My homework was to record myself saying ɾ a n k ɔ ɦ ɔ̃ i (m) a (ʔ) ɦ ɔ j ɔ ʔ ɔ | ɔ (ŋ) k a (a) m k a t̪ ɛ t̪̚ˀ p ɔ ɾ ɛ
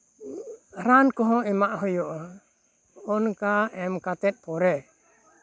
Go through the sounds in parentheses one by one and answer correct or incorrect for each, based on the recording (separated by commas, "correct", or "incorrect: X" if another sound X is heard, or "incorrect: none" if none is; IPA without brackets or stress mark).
correct, correct, incorrect: n, incorrect: ɛ